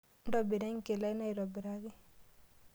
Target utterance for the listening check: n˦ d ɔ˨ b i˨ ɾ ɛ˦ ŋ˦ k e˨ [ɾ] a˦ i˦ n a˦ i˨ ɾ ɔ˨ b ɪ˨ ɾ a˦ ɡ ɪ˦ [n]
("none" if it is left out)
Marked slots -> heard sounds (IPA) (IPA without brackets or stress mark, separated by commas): l, none